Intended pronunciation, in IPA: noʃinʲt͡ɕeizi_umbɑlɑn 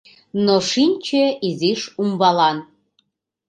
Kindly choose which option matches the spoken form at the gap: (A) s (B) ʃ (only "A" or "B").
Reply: B